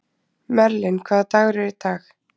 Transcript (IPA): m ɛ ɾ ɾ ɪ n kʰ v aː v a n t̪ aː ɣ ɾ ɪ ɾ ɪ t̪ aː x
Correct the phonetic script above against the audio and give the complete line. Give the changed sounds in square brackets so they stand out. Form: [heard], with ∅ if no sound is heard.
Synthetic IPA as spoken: m ɛ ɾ [l] ɪ n kʰ v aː [ð] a [∅] t̪ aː ɣ ɾ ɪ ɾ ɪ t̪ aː x